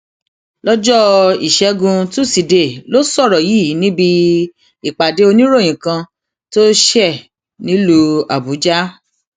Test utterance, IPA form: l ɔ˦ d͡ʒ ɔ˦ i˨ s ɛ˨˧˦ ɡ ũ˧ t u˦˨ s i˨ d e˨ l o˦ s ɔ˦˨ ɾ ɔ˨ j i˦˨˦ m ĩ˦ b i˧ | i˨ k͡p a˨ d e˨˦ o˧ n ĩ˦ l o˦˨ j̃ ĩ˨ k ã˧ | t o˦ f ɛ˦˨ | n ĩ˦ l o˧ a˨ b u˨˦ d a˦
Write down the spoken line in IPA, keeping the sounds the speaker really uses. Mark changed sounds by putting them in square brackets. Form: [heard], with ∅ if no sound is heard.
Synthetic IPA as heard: l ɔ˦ d͡ʒ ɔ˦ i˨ [ʃ] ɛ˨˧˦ ɡ ũ˧ t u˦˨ s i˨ d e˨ l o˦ s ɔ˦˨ ɾ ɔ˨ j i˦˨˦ [n] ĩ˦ b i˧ | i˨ k͡p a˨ d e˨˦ o˧ n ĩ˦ [ɾ] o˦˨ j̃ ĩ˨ k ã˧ | t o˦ [ʃ] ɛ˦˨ | n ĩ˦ l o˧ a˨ b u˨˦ [d͡ʒ] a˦